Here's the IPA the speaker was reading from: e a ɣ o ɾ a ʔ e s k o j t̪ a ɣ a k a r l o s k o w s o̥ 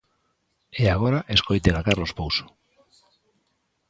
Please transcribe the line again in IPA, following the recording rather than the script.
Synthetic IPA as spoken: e a ɣ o ɾ a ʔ e s k o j t̪ e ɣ a k a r l o s p o w s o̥